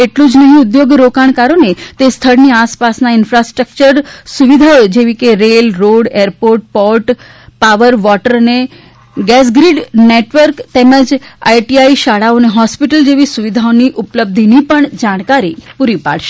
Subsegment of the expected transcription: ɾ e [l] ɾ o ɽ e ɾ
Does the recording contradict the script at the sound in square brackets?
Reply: no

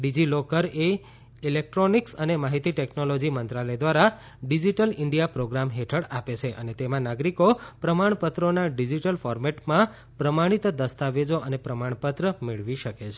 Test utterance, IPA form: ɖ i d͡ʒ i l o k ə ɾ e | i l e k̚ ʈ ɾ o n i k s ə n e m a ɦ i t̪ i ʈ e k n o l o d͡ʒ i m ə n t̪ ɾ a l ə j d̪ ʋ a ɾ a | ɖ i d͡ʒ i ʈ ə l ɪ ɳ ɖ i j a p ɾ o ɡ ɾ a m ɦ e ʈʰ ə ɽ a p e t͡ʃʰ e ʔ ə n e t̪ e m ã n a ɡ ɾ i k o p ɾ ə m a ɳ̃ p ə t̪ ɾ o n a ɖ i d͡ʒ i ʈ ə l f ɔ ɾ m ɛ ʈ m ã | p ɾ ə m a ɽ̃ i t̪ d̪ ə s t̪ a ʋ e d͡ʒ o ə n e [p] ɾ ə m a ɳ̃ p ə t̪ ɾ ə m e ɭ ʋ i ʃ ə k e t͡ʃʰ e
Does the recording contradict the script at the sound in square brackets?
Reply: no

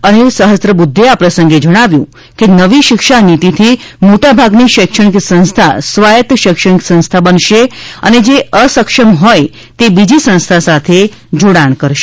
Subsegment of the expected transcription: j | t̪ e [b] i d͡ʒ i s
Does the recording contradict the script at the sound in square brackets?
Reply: no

